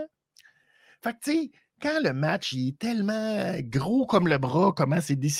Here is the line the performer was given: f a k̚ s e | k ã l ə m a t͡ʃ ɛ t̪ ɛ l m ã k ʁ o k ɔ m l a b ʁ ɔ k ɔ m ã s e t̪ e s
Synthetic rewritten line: f a k̚ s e | k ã l ə m a t͡ʃ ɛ t̪ ɛ l m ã ɡ ʁ o k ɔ m l ə b ʁ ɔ k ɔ m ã s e d̪ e s